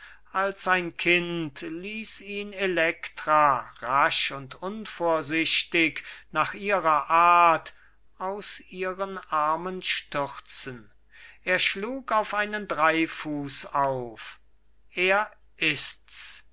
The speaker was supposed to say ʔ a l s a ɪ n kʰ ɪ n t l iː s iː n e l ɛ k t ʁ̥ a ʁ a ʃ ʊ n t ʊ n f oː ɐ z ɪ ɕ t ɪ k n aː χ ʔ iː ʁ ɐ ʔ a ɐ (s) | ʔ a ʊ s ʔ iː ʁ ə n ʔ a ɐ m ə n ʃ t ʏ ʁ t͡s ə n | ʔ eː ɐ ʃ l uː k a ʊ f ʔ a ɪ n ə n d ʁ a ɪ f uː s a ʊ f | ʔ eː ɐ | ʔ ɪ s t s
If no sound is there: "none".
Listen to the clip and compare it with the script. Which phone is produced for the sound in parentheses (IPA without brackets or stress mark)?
t